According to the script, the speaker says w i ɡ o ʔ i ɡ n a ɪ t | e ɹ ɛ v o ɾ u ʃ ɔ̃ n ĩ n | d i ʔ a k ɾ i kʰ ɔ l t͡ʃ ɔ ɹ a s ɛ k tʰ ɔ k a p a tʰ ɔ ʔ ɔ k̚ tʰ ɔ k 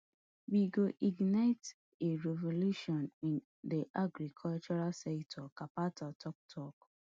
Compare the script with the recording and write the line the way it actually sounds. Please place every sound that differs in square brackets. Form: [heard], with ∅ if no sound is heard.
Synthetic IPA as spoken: w i ɡ o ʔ i ɡ n a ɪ t | e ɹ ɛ v o [l] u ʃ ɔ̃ n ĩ n | d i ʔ a [ɡ] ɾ i kʰ ɔ l t͡ʃ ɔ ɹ a s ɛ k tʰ ɔ k a p a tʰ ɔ [t] ɔ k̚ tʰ ɔ k